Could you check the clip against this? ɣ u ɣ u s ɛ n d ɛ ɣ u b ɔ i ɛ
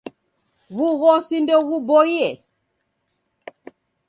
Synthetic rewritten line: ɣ u ɣ ɔ s i n d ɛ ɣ u b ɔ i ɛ